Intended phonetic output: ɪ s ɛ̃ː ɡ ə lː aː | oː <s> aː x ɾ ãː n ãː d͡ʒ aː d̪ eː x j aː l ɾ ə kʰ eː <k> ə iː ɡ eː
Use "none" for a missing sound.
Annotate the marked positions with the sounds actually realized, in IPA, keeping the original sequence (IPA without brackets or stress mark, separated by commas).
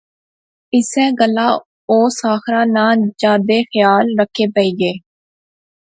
s, p